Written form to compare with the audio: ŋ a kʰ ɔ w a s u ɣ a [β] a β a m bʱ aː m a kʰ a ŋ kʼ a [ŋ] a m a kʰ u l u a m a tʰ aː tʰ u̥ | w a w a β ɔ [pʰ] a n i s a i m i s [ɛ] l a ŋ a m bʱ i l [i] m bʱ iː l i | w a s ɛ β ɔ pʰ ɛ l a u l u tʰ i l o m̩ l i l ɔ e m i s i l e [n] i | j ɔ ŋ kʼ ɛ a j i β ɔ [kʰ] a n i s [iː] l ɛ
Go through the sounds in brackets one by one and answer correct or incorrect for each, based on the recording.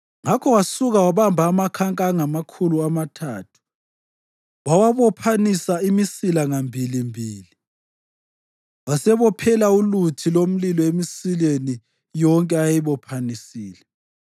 incorrect: w, correct, correct, incorrect: i, correct, correct, incorrect: pʰ, correct

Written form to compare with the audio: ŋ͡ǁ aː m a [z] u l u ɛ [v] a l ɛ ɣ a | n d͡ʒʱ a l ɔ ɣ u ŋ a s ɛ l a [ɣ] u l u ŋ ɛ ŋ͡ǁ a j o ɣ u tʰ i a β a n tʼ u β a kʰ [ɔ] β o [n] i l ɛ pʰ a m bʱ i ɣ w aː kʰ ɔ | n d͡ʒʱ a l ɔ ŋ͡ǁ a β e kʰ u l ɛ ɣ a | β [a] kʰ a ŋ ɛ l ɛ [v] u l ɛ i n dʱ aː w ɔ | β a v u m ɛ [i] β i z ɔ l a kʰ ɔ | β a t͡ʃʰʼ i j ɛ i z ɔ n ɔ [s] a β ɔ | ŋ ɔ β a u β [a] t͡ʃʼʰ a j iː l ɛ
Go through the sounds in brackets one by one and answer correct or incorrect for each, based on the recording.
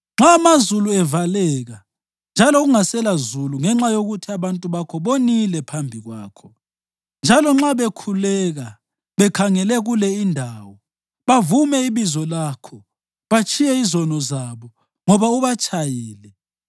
correct, correct, incorrect: z, correct, correct, incorrect: ɛ, incorrect: ɣ, correct, incorrect: z, correct

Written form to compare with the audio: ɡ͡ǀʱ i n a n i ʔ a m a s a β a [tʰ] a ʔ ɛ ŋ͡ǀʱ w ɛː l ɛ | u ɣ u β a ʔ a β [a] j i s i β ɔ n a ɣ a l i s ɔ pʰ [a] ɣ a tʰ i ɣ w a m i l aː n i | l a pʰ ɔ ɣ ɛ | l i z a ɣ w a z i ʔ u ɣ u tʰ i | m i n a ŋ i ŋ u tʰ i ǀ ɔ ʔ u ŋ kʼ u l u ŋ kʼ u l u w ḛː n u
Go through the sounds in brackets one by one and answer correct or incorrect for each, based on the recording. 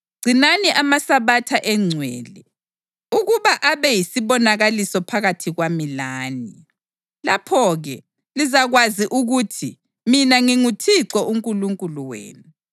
correct, incorrect: ɛ, correct

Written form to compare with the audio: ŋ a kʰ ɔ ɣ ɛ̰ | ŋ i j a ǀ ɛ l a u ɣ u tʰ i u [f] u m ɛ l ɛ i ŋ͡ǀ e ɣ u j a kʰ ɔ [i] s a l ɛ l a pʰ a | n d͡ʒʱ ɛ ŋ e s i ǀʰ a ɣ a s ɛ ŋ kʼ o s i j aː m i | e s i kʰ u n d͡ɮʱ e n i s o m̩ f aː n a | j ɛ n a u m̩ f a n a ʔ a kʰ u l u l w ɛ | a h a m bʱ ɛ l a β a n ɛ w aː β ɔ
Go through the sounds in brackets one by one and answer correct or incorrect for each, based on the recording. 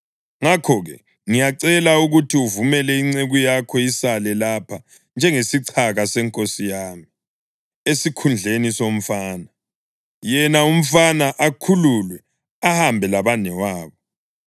incorrect: v, correct

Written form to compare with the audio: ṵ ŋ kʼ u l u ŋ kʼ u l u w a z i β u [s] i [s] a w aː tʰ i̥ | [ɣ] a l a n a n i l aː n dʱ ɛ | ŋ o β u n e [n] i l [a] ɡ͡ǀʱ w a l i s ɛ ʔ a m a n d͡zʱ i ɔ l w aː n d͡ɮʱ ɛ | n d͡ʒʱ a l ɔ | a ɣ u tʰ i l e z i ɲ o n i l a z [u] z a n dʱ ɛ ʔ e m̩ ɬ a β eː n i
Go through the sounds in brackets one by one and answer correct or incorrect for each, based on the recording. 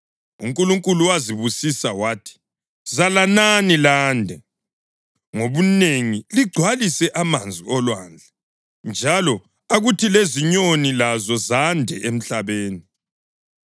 correct, correct, incorrect: z, incorrect: ŋ, incorrect: i, incorrect: ɔ

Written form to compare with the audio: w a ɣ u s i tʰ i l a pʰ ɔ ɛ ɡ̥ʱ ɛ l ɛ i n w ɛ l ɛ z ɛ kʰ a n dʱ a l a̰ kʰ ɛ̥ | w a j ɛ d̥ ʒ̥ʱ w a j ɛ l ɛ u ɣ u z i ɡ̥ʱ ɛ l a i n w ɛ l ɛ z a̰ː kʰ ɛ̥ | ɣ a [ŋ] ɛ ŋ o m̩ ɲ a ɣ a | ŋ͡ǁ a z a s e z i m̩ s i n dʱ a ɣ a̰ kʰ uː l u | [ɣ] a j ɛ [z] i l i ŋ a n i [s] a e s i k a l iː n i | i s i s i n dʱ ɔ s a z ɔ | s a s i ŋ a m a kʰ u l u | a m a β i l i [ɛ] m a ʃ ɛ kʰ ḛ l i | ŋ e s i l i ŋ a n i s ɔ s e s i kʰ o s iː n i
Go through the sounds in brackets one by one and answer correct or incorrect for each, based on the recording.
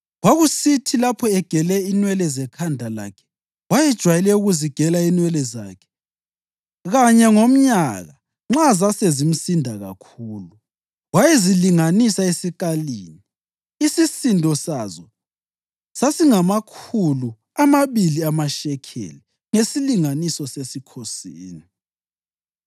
incorrect: ɲ, incorrect: w, correct, correct, incorrect: a

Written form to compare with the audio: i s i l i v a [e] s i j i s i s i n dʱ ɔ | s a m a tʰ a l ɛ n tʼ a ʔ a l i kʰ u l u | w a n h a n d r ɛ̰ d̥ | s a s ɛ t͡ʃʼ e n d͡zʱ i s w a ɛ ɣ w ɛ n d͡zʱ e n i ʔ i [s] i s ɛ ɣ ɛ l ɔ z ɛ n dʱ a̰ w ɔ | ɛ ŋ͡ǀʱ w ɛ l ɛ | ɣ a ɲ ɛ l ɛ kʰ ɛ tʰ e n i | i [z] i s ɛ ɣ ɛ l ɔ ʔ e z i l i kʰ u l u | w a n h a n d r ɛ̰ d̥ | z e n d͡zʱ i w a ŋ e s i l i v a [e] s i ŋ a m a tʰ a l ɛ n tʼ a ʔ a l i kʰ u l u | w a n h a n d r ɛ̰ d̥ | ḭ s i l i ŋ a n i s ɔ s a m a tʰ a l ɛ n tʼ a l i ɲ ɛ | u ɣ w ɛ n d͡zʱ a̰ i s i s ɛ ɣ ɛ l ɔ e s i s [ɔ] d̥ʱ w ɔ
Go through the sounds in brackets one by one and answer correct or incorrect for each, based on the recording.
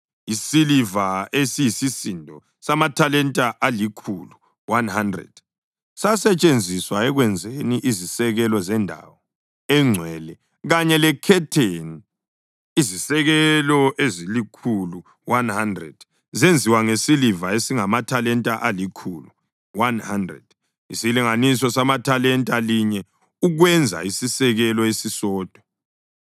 correct, incorrect: z, correct, correct, incorrect: ɔː

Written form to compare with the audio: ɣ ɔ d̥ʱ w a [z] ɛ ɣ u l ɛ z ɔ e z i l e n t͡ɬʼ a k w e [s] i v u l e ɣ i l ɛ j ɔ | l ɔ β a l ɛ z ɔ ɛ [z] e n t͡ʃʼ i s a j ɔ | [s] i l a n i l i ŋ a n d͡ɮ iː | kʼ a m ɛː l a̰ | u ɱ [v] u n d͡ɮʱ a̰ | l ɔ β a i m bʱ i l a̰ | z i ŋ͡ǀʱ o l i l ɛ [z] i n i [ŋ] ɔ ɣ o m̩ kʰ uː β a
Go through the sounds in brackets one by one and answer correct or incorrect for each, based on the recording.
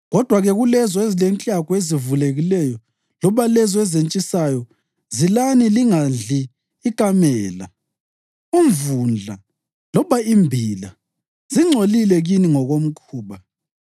incorrect: ɣ, incorrect: z, correct, incorrect: z, correct, incorrect: ɣ, correct

